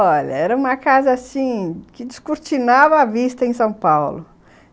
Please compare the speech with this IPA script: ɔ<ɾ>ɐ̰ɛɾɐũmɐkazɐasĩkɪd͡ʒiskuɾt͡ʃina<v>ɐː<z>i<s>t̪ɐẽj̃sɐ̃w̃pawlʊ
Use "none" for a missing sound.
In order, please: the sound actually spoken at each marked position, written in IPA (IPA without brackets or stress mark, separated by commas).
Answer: ʎ, v, v, s